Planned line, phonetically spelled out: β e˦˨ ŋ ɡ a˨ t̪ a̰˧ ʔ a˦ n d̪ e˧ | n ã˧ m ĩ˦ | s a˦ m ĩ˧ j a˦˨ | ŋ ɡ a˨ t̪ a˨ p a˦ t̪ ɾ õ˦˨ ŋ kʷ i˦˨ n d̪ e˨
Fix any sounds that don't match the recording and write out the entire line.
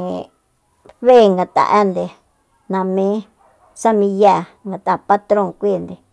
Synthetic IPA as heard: β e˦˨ ŋ ɡ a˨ t̪ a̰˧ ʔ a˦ n d̪ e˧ | n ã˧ m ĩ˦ | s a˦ m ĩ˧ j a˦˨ | ŋ ɡ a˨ t̪ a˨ p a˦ t̪ ɾ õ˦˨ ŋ kʷ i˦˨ n d̪ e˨